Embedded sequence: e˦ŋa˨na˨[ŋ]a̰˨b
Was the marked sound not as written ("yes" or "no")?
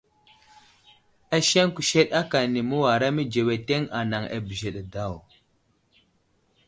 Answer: no